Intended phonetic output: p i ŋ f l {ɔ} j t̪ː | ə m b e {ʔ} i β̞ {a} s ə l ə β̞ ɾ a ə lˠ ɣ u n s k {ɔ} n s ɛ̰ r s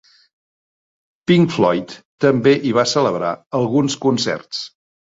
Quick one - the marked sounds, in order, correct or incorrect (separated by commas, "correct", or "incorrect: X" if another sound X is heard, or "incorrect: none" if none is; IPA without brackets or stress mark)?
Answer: correct, correct, correct, incorrect: u